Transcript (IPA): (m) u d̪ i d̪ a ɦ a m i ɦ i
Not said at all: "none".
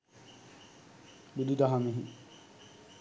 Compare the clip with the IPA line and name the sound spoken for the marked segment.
b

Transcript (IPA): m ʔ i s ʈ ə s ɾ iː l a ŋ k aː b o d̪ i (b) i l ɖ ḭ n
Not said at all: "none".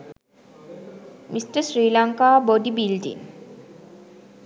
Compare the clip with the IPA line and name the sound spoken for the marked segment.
b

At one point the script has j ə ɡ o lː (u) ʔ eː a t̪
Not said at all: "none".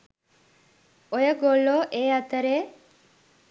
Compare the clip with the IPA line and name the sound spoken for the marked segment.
o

